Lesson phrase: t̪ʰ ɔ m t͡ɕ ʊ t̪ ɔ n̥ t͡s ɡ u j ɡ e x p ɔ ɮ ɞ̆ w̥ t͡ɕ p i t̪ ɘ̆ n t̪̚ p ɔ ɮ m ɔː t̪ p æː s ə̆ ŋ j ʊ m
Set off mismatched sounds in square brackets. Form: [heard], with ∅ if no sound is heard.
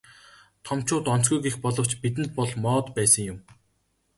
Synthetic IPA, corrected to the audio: t̪ʰ ɔ m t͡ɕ [ʊː] t̪ ɔ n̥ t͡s ɡ u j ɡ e x p ɔ ɮ ɞ̆ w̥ t͡ɕ p i t̪ ɘ̆ n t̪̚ p ɔ ɮ m ɔː t̪ p æː s ə̆ ŋ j ʊ m